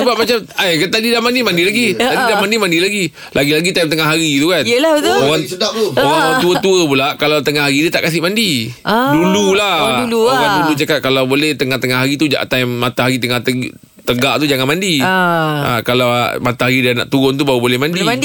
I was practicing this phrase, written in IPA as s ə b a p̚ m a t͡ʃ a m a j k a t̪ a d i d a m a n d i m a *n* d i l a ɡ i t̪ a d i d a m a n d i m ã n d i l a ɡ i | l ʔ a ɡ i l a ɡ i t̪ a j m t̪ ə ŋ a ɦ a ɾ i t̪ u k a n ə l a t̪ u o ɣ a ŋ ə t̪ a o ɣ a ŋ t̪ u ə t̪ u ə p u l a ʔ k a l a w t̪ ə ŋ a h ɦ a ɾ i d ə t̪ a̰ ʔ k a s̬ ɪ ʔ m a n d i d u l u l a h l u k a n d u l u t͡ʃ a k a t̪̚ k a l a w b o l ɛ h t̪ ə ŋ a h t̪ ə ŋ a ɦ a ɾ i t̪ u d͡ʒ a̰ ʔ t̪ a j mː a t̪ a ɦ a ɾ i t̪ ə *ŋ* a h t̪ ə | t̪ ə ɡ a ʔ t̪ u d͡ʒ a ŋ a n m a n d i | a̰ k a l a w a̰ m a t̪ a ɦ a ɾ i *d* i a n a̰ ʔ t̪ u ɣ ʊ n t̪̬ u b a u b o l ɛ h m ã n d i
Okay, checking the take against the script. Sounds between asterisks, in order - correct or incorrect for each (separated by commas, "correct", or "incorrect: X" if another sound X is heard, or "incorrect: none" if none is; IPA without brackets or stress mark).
correct, correct, correct